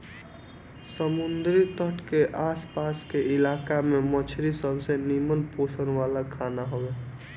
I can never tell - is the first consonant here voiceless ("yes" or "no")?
yes